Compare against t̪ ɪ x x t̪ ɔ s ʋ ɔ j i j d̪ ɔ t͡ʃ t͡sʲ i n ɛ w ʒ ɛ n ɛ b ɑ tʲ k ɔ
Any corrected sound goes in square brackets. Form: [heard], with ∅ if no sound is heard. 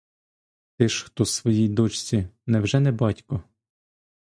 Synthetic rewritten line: t̪ ɪ [ʃ] x t̪ ɔ s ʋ ɔ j i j d̪ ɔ t͡ʃ t͡sʲ i n ɛ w ʒ ɛ n ɛ b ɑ tʲ k ɔ